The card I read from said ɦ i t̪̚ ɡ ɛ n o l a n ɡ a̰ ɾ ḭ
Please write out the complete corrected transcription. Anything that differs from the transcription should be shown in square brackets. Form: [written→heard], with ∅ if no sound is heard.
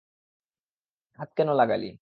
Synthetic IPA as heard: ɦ [i→a] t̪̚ [ɡ→k] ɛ n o l a [n→∅] ɡ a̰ [ɾ→l] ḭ